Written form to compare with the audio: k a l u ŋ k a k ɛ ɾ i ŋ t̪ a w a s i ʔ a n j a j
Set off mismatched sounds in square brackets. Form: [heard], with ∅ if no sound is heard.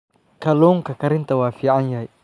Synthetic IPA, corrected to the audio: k a l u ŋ k a k [a] ɾ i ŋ t̪ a w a [f] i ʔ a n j a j